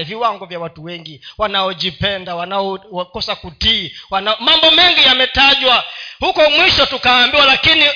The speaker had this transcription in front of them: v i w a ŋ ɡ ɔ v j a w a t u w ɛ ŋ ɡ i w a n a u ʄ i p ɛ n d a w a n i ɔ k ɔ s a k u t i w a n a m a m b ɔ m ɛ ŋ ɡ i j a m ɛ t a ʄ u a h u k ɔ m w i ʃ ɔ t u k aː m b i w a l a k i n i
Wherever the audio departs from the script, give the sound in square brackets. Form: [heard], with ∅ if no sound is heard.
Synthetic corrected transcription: v i w a ŋ ɡ ɔ v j a w a t u w ɛ ŋ ɡ i w a n a [ɔ] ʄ i p ɛ n d a w a n [a] ɔ k ɔ s a k u t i w a n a m a m b ɔ m ɛ ŋ ɡ i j a m ɛ t a ʄ [w] a h u k ɔ m w i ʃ ɔ t u k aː m b i w a l a k i n i